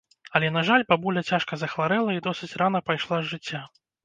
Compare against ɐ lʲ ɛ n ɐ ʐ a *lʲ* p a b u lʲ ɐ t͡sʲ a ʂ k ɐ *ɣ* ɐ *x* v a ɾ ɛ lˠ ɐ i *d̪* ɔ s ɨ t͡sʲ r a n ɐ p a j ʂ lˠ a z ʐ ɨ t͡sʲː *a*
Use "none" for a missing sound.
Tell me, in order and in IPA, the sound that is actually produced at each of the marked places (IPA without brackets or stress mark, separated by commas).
lʲ, z, x, d̪, a